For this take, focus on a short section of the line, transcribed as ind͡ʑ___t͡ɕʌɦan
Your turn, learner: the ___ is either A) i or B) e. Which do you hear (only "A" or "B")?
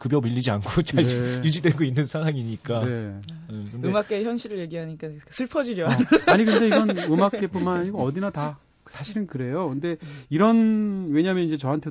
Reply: B